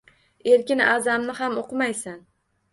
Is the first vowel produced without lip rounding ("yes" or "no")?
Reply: yes